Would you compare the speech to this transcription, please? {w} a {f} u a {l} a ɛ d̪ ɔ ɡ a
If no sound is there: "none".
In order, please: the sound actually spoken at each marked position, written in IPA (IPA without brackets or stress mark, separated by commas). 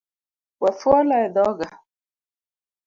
w, f, l